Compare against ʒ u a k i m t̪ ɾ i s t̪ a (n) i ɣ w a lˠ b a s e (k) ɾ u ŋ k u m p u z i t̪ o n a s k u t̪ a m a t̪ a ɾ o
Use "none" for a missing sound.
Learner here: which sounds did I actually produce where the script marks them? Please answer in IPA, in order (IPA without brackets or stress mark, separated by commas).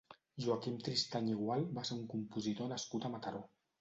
ɲ, none